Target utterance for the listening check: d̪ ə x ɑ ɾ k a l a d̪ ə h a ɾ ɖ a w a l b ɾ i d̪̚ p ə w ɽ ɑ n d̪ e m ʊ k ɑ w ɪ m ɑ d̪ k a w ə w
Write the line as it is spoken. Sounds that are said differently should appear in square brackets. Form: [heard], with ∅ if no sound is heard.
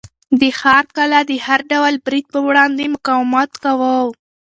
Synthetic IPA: d̪ ə x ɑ ɾ k a l a d̪ ə h a ɾ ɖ a w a l b ɾ i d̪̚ p ə w ɽ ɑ n d̪ e m ʊ k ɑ w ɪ m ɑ [t̪] k a w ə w